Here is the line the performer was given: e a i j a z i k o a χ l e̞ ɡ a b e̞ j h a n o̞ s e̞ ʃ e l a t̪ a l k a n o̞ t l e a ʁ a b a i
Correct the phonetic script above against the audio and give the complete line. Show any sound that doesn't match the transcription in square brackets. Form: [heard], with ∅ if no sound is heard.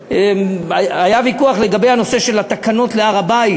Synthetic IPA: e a [a] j a [v] i k [u] a χ l e̞ ɡ a b e̞ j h a n o̞ s e̞ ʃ e l a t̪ a [∅] k a n o̞ t l e a ʁ a b a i